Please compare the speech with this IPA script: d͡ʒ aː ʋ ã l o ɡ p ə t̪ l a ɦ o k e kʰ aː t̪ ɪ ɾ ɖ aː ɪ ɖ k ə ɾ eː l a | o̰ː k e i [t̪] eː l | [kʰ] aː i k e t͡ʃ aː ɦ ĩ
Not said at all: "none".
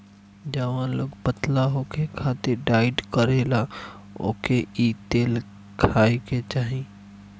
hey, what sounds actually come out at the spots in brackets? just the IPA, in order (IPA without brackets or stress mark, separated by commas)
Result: t̪, kʰ